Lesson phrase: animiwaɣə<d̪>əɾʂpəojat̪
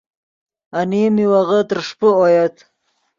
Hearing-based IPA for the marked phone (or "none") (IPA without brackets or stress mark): t̪